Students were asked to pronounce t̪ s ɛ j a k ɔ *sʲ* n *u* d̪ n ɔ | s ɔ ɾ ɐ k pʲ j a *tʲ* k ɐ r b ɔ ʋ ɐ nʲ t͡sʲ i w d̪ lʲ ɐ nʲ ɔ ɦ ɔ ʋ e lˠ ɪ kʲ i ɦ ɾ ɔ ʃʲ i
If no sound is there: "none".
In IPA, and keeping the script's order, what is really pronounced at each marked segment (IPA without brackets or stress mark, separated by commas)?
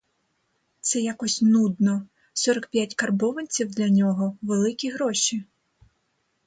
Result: sʲ, u, tʲ